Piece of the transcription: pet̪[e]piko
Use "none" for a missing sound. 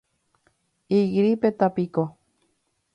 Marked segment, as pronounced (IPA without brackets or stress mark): a